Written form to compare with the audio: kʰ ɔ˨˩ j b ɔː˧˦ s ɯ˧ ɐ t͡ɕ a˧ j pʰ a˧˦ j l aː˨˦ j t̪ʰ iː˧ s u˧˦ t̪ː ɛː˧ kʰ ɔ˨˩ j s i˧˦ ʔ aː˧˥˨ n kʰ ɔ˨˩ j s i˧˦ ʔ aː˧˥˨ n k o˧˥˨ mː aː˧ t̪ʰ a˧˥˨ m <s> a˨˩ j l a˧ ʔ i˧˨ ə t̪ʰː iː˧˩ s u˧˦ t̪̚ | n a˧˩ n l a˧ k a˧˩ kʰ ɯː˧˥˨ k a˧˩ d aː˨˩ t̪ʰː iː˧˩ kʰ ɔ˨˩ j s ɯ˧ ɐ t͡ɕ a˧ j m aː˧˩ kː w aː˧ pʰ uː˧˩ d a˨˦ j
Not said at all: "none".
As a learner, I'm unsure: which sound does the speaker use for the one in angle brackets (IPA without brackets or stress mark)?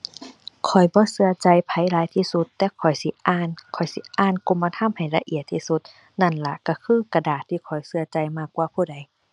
h